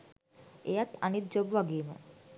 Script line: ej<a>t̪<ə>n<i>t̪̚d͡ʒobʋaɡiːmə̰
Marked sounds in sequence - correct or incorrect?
correct, incorrect: a, correct

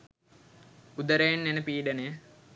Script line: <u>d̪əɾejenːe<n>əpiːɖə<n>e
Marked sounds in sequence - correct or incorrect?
correct, correct, correct

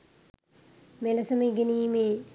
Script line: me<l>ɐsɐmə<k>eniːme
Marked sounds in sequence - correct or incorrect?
correct, incorrect: ɡ

